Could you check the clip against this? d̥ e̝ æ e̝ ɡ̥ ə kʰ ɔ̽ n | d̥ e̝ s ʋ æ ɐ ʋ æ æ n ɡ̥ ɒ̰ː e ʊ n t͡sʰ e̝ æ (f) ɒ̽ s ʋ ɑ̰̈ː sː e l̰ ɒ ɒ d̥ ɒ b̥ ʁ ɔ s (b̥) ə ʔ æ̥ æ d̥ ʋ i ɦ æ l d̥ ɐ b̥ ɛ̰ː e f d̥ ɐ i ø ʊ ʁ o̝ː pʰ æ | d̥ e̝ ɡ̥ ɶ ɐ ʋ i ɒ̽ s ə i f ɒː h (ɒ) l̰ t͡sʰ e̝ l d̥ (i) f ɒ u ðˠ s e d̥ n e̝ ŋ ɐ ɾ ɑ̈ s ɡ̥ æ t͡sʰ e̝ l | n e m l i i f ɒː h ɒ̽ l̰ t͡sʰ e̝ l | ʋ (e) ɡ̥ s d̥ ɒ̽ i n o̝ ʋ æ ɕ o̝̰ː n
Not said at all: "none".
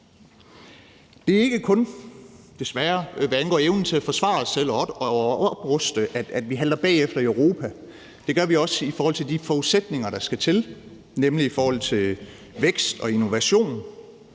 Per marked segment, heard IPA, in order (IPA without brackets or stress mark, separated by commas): f, d̥, ɒ, i, e